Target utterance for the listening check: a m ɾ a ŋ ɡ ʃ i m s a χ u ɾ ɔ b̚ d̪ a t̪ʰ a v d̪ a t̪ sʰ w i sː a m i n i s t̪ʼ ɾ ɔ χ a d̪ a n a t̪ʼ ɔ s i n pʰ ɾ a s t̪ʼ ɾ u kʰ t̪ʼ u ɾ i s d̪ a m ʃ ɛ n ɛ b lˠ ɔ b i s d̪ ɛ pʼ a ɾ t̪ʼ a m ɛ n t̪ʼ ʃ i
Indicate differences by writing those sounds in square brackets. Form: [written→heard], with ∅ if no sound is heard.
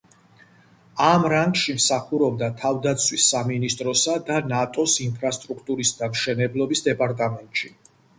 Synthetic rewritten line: a m ɾ a ŋ ɡ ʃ i m s a χ u ɾ ɔ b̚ d̪ a t̪ʰ a v d̪ a t̪ sʰ w i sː a m i n i s t̪ʼ ɾ ɔ [χ→s] a d̪ a n a t̪ʼ ɔ s i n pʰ ɾ a s t̪ʼ ɾ u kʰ t̪ʼ u ɾ i s d̪ a m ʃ ɛ n ɛ b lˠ ɔ b i s d̪ ɛ pʼ a ɾ t̪ʼ a m ɛ n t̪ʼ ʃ i